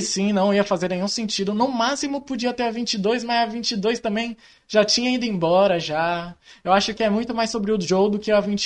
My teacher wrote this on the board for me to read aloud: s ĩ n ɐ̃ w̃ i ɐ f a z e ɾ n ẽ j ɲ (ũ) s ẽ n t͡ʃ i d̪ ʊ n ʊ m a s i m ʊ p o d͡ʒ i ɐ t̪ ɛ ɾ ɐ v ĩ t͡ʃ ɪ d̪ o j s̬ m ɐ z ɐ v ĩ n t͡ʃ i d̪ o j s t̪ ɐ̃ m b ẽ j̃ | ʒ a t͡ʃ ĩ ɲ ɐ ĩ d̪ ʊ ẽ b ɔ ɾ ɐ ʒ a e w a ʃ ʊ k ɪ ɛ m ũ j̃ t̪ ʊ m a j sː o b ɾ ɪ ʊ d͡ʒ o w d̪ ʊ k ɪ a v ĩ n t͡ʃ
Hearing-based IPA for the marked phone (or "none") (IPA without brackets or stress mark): ũ